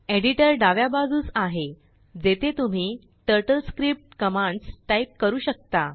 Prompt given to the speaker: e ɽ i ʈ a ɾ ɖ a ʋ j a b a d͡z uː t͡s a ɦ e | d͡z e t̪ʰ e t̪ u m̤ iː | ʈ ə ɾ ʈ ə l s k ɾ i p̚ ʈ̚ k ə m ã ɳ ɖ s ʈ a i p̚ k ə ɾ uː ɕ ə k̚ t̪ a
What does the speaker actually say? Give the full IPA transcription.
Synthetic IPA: e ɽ i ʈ ə ɾ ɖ a ʋ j a b a d͡z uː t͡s a ɦ e | d͡z e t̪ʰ e t̪ u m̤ iː | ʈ ə ɾ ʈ ə l s k ɾ i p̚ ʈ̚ k ə m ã ɳ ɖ s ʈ a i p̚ k ə ɾ uː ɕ ə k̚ t̪ a